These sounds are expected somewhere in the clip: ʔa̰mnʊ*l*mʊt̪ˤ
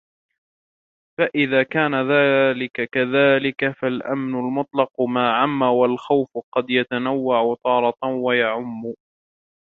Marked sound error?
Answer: no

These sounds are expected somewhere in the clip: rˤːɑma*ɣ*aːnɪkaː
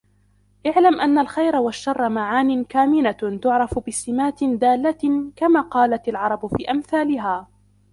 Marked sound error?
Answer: yes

